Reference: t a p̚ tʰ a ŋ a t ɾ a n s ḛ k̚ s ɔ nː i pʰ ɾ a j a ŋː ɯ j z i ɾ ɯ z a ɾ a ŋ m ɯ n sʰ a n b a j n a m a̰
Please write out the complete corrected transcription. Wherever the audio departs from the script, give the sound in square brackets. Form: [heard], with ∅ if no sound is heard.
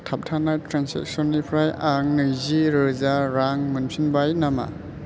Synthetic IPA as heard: [tʰ] a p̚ tʰ a [n] a t ɾ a n s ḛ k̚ s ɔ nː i pʰ ɾ a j a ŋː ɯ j z i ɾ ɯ z a ɾ a ŋ m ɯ n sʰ [i] n b a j n a m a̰